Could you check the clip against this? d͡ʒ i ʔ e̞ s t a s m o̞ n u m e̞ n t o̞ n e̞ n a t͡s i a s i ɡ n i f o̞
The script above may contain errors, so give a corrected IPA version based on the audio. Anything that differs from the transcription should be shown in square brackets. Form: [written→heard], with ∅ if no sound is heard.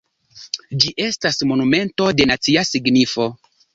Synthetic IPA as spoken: d͡ʒ i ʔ e̞ s t a s m o̞ n u m e̞ n t o̞ [n→d] e̞ n a t͡s i a s i ɡ n i f o̞

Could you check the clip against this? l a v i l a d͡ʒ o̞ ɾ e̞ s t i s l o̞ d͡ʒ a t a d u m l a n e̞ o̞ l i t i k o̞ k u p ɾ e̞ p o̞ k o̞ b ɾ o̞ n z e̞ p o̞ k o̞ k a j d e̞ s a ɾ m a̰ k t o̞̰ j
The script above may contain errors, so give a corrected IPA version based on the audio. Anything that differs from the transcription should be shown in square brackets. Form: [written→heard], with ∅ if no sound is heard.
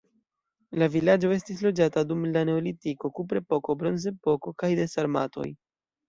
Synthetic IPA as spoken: l a v i l a d͡ʒ o̞ [ɾ→∅] e̞ s t i s l o̞ d͡ʒ a t a d u m l a n e̞ o̞ l i t i k o̞ k u p ɾ e̞ p o̞ k o̞ b ɾ o̞ n z e̞ p o̞ k o̞ k a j d e̞ s a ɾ m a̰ [k→∅] t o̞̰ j

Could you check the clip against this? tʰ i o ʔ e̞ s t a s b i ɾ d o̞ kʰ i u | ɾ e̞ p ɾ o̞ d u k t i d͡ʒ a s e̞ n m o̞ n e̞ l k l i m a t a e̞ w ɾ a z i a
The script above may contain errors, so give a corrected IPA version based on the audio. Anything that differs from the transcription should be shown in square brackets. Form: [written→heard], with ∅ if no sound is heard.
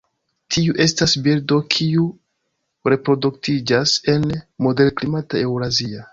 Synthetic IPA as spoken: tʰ i [o→u] ʔ e̞ s t a s b i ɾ d o̞ kʰ i u | ɾ e̞ p ɾ o̞ d u k t i d͡ʒ a s e̞ n m o̞ [n→d] e̞ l k l i m a t a e̞ w ɾ a z i a

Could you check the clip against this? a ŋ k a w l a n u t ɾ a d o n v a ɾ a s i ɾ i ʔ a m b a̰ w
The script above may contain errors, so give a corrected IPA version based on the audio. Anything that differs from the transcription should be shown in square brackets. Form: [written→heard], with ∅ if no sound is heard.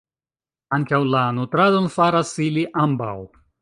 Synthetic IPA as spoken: a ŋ k a w l a n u t ɾ a d o n [v→f] a ɾ a s i [ɾ→l] i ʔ a m b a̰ w

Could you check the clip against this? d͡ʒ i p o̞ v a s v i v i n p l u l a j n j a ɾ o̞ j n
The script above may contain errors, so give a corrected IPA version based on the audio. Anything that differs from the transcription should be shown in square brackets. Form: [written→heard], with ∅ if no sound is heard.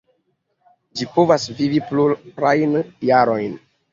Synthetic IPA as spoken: d͡ʒ i p o̞ v a s v i v i [n→∅] p l u [l→ɾ] a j n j a ɾ o̞ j n

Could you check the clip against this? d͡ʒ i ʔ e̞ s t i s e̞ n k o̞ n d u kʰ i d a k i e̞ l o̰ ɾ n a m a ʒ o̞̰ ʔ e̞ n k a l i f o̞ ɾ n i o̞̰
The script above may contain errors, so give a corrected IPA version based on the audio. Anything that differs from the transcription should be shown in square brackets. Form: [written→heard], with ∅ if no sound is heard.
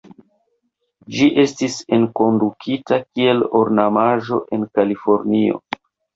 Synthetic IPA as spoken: d͡ʒ i ʔ e̞ s t i s e̞ n k o̞ n d u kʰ i [d→t] a k i e̞ l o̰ ɾ n a m a ʒ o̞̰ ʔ e̞ n k a l i f o̞ ɾ n i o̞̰

